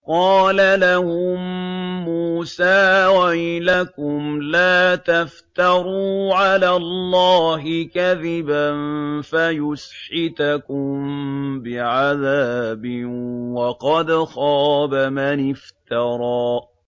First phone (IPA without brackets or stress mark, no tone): q